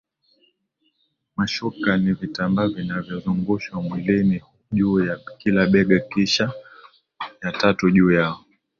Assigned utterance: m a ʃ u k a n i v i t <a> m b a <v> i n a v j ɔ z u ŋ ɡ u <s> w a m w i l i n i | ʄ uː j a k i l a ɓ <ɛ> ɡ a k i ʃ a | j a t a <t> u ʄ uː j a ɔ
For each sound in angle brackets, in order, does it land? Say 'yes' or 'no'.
yes, yes, no, yes, yes

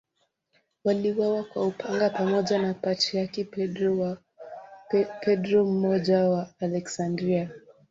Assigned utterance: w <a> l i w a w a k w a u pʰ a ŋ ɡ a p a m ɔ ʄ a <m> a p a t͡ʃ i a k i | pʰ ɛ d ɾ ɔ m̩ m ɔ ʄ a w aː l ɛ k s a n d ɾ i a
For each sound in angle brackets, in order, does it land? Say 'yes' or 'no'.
yes, no

